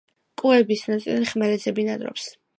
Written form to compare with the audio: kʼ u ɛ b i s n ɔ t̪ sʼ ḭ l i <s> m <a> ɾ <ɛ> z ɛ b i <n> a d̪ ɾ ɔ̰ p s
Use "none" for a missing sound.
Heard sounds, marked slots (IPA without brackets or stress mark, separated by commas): χ, ɛ, ɛ, n